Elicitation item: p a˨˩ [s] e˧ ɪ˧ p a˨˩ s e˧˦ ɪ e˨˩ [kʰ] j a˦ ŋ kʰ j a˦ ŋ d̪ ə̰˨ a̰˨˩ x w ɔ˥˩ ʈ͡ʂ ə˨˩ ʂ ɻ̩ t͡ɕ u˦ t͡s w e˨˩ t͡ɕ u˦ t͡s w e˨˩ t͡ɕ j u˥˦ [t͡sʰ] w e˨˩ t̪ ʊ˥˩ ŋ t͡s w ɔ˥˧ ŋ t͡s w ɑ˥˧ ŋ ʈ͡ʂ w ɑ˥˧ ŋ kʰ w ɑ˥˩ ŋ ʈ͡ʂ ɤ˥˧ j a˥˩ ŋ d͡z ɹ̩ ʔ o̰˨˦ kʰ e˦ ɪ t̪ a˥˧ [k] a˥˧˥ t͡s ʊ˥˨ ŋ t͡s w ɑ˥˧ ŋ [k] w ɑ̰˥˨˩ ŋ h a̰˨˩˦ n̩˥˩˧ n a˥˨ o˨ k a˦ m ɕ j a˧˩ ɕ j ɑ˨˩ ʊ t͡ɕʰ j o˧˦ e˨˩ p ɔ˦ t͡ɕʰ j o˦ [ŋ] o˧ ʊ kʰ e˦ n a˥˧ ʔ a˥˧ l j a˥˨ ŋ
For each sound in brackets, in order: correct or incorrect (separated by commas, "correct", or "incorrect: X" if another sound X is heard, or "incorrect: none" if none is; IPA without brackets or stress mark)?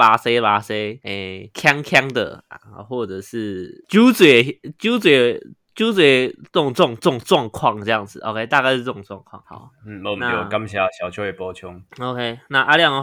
correct, correct, incorrect: t͡s, correct, incorrect: kʰ, correct